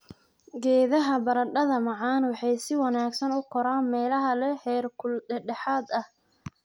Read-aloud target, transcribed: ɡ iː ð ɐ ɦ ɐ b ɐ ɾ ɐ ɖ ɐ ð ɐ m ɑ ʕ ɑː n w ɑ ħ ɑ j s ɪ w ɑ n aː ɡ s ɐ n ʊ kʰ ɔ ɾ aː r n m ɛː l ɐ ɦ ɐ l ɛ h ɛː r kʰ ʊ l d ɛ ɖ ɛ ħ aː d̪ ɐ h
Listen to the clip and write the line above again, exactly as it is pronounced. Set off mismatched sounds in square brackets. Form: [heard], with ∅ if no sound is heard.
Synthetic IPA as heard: ɡ [ɛː] ð ɐ ɦ ɐ b ɐ ɾ ɐ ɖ ɐ ð ɐ m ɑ ʕ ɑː n w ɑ ħ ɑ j s ɪ w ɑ n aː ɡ s ɐ n ʊ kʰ ɔ ɾ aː [∅] n m ɛː l ɐ ɦ ɐ l ɛ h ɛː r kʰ ʊ l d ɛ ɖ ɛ ħ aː d̪ ɐ h